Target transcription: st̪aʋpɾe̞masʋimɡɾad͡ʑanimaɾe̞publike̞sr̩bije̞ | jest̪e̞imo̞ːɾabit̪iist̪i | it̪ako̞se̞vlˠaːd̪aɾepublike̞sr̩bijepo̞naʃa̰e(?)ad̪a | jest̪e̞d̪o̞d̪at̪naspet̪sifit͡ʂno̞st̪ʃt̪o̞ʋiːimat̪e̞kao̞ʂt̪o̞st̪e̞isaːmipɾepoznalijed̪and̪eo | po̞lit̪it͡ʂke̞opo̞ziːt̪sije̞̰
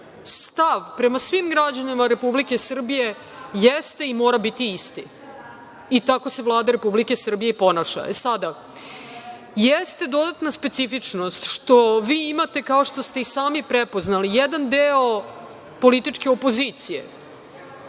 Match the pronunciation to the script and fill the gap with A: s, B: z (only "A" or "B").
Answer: A